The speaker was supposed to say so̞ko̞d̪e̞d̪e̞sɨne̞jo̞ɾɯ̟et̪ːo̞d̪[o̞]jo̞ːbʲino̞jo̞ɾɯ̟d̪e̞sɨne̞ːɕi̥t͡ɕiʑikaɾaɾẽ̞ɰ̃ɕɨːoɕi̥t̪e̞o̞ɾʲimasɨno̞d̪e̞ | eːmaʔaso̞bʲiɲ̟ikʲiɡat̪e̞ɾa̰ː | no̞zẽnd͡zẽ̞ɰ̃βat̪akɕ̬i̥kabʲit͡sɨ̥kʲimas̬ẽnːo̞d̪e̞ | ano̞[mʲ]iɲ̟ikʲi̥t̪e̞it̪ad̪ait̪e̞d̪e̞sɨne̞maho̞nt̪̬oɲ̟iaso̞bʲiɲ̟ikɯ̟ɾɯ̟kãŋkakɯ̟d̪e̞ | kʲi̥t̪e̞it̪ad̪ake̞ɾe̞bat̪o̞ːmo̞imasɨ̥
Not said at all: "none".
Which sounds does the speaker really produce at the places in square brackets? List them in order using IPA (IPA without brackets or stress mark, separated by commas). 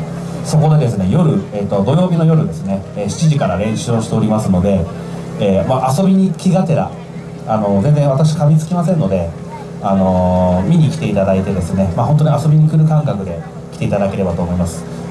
o̞, mʲ